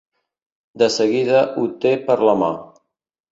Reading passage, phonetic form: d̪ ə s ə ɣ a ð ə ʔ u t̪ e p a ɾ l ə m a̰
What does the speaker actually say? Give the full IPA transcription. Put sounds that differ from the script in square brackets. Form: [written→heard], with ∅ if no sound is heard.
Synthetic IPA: d̪ ə s ə ɣ [a→i] ð ə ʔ u t̪ e p [a→ə] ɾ l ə m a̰